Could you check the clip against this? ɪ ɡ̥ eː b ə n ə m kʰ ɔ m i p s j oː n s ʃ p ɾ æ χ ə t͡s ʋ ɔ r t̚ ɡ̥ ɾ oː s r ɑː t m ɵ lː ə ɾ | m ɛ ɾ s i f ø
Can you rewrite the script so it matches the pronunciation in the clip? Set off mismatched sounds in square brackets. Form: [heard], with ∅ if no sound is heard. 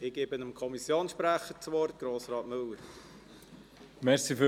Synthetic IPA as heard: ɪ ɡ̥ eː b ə n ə m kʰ ɔ m i [∅] s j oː n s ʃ p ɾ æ χ ə t͡s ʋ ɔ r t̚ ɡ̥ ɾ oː s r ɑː t m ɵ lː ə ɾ | m ɛ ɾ s i f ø